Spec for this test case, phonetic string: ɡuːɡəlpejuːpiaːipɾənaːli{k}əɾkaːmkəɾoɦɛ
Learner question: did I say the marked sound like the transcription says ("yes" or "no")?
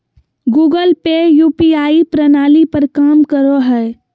no